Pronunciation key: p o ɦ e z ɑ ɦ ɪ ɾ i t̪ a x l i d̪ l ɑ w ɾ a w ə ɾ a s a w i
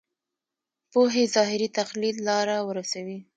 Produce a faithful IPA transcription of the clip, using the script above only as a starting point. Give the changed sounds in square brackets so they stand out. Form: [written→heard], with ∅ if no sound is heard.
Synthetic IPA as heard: p o ɦ e z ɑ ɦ ɪ ɾ i t̪ a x l i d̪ l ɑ [w→∅] ɾ a w ə ɾ a s a w i